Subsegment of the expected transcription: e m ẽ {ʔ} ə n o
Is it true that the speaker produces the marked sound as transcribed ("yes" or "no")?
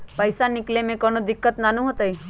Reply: no